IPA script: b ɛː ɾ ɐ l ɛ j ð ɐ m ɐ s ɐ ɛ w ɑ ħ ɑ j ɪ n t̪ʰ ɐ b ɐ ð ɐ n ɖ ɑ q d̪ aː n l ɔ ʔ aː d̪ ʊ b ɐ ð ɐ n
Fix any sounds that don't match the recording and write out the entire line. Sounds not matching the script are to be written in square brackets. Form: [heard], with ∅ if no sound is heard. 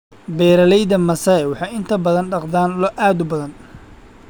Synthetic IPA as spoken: b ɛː ɾ ɐ l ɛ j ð ɐ m ɐ s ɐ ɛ w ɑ ħ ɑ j ɪ n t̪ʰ ɐ b ɐ ð ɐ n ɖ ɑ q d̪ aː n l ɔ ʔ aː d̪ ʊ b ɐ ð ɐ n